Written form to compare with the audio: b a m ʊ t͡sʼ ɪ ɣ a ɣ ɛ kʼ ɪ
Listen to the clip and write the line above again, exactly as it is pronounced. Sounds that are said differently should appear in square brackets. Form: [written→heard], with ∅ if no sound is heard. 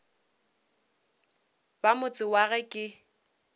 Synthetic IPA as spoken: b a m ʊ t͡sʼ ɪ [ɣ→w] a ɣ ɛ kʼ ɪ